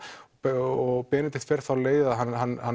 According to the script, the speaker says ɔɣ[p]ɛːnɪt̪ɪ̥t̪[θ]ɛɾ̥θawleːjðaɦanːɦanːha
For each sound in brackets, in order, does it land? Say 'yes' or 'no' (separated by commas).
yes, no